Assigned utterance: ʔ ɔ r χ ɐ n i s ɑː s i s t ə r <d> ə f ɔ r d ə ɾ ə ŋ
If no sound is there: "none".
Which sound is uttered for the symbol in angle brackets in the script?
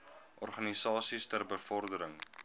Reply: b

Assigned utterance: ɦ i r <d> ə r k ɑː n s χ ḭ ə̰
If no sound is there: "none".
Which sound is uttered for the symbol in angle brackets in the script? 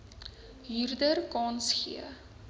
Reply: d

